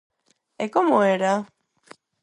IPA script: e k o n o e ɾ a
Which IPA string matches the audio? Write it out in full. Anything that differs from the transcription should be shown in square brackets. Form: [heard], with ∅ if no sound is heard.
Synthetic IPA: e k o [m] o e ɾ a